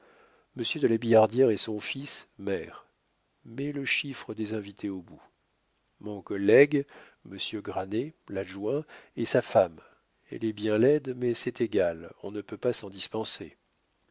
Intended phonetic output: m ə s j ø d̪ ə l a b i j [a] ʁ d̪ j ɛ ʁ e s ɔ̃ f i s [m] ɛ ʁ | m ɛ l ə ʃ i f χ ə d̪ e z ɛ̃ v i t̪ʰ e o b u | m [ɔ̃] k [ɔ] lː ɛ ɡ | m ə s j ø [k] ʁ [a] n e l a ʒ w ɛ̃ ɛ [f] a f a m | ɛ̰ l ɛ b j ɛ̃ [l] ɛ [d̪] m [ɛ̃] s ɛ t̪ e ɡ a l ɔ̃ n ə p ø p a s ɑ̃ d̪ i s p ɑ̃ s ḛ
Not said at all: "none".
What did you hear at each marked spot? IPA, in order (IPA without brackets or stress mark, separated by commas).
a, m, ɔ̃, ɔ, ɡ, a, s, l, d̪, ɛ